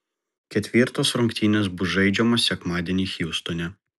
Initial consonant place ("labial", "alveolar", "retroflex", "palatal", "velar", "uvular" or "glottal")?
velar